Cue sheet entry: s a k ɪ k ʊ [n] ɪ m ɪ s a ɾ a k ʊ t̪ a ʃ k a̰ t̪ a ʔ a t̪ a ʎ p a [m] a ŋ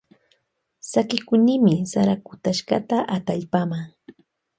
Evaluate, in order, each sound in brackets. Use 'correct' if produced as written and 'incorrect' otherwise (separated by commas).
correct, correct